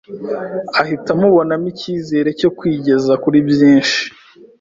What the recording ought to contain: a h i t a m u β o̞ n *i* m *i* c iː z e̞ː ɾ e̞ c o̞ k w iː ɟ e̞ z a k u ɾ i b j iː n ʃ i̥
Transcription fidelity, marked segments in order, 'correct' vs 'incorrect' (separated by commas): incorrect, correct